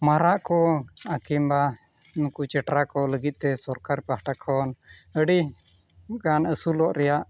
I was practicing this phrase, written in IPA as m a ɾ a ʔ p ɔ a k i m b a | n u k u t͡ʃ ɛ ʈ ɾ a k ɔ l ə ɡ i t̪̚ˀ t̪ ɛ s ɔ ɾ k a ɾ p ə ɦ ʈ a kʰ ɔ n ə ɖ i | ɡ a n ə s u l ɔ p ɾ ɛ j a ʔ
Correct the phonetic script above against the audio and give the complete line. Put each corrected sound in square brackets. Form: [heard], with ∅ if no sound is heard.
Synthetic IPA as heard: m a ɾ a ʔ [k] ɔ a k i m b a | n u k u t͡ʃ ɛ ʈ ɾ a k ɔ l ə ɡ i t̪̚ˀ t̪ ɛ s ɔ ɾ k a ɾ p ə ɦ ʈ a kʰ ɔ n ə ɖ i | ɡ a n ə s u l ɔ [ʔ] ɾ ɛ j a ʔ

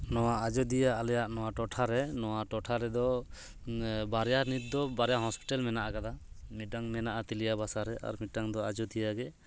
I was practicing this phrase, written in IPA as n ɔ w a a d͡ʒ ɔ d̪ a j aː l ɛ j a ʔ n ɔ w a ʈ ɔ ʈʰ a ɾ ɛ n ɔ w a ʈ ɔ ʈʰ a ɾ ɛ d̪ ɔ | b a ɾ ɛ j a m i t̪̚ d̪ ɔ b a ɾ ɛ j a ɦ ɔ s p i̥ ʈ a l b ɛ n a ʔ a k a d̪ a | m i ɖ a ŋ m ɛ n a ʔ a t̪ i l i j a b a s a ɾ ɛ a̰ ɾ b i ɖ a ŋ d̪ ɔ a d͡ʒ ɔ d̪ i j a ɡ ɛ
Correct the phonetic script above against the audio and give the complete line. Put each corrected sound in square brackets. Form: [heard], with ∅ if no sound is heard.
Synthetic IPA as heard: n ɔ w a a d͡ʒ ɔ d̪ [i] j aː l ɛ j a ʔ n ɔ w a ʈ ɔ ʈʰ a ɾ ɛ n ɔ w a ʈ ɔ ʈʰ a ɾ ɛ d̪ ɔ | b a ɾ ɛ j a [n] i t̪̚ d̪ ɔ b a ɾ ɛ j a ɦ ɔ s p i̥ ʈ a l [m] ɛ n a ʔ a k a d̪ a | m i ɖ a ŋ m ɛ n a ʔ a t̪ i l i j a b a s a ɾ ɛ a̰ ɾ [m] i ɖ a ŋ d̪ ɔ a d͡ʒ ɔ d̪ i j a ɡ ɛ

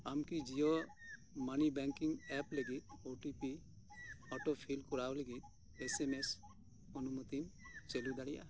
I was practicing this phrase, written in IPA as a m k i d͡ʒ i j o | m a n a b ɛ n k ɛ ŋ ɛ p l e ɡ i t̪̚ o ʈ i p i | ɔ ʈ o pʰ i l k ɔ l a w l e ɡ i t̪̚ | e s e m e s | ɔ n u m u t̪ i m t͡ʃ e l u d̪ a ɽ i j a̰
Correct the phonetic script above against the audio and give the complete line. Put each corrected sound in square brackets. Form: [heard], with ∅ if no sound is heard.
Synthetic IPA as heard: a m k i d͡ʒ i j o | m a n [i] b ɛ [ŋ] k [i] ŋ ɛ p l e ɡ i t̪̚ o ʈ i p i | ɔ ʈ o pʰ i l k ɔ [ɾ] a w l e ɡ i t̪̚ | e s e m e s | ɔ n u m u t̪ i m t͡ʃ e l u d̪ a ɽ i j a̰

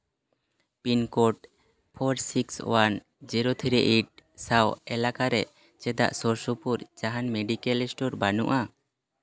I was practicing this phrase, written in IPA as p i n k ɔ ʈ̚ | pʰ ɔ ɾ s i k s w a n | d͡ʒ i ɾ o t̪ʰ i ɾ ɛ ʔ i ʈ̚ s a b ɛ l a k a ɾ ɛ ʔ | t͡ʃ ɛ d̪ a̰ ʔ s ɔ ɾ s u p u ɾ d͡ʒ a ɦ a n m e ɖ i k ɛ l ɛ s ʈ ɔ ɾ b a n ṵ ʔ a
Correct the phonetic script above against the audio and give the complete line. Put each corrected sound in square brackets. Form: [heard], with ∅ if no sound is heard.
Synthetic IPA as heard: p i n k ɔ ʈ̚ | pʰ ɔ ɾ s i k s w a n | d͡ʒ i ɾ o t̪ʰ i ɾ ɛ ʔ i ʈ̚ s a [w] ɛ l a k a ɾ ɛ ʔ | t͡ʃ ɛ d̪ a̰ ʔ s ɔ ɾ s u p u ɾ d͡ʒ a ɦ a n m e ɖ i k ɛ l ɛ s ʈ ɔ ɾ b a n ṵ ʔ a

